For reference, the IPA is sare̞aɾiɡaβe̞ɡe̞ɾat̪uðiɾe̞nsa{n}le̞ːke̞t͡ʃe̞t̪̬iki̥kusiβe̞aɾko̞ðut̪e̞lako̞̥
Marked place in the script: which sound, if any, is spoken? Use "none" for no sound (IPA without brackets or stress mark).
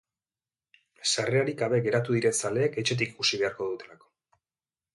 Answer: none